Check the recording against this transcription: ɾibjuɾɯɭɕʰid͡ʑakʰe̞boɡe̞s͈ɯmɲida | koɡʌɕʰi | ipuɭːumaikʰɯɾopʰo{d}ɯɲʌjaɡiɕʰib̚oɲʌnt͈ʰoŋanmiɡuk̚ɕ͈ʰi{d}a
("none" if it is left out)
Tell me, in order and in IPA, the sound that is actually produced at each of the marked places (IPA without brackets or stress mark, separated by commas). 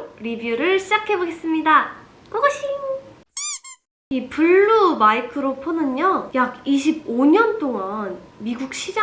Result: n, d͡ʑ